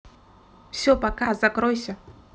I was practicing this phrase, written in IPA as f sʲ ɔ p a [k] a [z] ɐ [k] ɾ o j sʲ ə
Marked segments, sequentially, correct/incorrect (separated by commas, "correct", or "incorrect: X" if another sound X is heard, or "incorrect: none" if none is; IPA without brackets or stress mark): correct, correct, correct